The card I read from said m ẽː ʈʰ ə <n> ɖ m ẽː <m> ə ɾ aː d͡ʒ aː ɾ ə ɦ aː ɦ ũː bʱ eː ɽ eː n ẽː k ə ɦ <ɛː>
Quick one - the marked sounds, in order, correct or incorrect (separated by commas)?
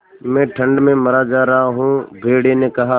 incorrect, correct, incorrect